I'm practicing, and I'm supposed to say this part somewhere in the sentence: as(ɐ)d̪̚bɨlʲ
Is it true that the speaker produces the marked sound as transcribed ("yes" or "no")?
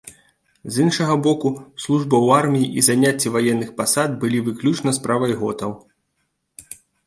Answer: no